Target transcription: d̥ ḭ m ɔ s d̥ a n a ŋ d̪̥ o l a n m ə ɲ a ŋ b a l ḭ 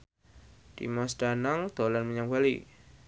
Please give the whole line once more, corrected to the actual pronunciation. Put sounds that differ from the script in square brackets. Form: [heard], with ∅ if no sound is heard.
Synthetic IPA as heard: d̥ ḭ m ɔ s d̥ a n a ŋ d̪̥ o l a n m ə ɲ a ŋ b a l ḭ